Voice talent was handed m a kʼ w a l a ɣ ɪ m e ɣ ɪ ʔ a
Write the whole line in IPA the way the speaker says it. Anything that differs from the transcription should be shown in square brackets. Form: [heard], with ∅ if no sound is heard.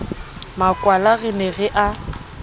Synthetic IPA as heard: m a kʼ w a l a ɣ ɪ [n] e ɣ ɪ ʔ a